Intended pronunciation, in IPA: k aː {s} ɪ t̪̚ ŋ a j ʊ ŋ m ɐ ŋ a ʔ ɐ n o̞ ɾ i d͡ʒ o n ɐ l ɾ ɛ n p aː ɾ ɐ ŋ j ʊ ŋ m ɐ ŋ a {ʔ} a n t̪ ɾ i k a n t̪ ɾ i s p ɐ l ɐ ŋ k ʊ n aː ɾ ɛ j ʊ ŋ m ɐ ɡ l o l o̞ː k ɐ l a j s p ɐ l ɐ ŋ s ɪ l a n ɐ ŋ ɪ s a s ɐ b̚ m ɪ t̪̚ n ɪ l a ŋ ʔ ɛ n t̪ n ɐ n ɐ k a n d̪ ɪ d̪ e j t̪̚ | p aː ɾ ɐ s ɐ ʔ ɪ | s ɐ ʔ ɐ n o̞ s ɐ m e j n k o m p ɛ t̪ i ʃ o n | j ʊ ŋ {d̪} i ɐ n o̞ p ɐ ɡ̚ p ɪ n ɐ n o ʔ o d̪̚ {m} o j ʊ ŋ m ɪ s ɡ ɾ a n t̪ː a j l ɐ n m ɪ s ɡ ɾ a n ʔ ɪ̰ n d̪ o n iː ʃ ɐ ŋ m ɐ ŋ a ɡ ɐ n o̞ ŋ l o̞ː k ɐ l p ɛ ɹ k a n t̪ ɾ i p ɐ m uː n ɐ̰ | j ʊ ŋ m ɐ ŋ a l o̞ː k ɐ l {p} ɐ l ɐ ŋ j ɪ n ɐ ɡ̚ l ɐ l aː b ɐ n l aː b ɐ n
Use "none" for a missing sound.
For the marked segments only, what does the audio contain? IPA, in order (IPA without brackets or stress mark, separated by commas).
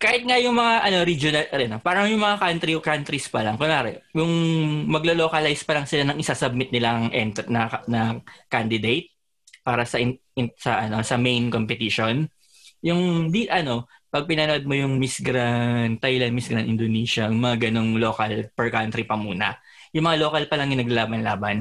h, k, d̪, m, p